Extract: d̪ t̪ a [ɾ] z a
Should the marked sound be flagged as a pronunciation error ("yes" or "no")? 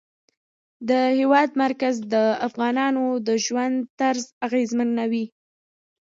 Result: no